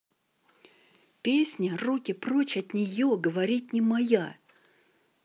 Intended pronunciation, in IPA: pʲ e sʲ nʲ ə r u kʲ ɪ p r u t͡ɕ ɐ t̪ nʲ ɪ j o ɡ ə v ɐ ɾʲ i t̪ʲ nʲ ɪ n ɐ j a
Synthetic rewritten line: pʲ e sʲ nʲ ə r u kʲ ɪ p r o t͡ɕ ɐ t̪ nʲ ɪ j o ɡ ə v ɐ ɾʲ i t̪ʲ nʲ ɪ m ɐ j a